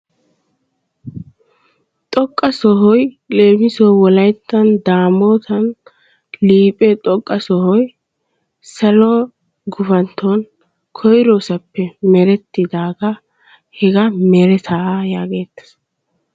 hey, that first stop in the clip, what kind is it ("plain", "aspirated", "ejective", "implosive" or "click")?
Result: ejective